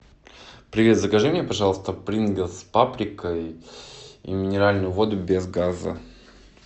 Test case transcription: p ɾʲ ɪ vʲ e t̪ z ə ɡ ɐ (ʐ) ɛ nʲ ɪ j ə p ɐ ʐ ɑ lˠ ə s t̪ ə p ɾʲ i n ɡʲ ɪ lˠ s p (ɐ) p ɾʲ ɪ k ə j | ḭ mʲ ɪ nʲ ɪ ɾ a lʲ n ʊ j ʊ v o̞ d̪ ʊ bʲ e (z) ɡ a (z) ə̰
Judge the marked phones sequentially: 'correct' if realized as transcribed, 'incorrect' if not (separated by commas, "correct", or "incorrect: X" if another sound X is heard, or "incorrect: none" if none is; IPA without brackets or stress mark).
correct, incorrect: a, correct, correct